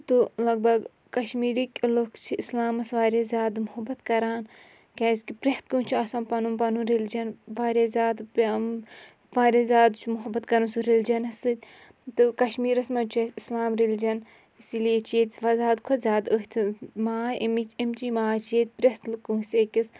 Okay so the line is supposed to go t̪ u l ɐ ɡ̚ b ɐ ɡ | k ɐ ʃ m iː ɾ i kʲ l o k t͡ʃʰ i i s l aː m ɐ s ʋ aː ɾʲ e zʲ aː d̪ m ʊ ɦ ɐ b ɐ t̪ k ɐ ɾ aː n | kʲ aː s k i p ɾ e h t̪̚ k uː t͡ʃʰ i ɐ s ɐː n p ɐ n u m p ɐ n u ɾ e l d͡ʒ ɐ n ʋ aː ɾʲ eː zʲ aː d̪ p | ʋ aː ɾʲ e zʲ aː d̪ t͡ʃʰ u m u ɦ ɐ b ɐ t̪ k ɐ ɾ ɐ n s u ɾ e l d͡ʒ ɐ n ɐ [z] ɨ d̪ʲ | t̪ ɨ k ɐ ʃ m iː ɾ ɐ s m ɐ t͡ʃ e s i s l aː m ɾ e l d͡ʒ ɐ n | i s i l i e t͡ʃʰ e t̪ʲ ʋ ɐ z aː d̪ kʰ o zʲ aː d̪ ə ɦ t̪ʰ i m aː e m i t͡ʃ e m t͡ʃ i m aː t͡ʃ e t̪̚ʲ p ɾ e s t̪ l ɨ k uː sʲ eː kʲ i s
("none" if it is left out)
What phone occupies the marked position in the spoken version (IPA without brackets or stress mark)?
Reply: s